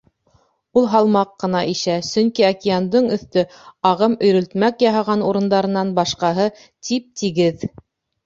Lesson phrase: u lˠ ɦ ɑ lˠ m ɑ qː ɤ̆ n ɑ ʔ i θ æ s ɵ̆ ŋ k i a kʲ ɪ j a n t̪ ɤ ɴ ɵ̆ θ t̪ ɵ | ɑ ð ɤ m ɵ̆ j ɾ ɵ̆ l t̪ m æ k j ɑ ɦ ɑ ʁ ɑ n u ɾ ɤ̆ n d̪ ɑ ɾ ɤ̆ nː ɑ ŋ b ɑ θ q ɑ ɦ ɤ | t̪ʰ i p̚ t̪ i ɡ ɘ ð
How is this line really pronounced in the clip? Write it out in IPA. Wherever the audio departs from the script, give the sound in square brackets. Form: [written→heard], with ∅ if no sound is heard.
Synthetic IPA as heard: u lˠ ɦ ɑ lˠ m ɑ qː ɤ̆ n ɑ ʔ i [θ→ʃ] æ s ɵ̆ ŋ k i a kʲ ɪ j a n [t̪→d̪] ɤ ɴ ɵ̆ θ t̪ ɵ | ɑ [ð→ʁ] ɤ m ɵ̆ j ɾ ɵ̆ l t̪ m æ k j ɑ ɦ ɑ ʁ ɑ n u ɾ ɤ̆ n d̪ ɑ ɾ ɤ̆ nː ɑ [ŋ→n] b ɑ [θ→ʃ] q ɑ ɦ ɤ | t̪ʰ i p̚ t̪ i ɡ ɘ ð